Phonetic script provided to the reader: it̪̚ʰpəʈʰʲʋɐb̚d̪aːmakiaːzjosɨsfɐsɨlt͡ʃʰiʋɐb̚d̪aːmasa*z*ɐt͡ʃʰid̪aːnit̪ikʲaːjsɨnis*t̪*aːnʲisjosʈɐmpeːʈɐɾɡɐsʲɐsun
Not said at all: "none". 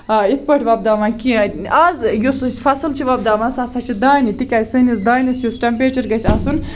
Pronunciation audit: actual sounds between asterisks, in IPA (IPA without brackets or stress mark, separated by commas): s, d̪